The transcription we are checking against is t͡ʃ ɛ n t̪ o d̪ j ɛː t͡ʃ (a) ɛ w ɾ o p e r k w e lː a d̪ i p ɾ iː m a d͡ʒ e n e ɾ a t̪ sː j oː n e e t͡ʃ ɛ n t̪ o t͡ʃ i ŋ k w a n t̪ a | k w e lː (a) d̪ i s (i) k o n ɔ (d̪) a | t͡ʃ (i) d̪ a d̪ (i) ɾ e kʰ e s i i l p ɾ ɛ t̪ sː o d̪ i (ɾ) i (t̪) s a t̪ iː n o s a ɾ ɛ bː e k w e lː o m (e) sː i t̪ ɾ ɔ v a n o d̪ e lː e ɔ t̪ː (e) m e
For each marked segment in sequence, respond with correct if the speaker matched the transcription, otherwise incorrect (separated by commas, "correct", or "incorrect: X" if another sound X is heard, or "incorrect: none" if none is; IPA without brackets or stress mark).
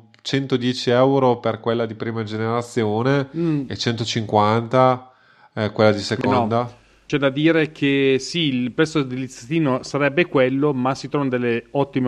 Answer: incorrect: i, correct, incorrect: e, correct, incorrect: ɛ, incorrect: iː, incorrect: l, correct, incorrect: a, incorrect: i